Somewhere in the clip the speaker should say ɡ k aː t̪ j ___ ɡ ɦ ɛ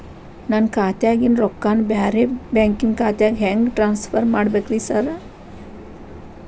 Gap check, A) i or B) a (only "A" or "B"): B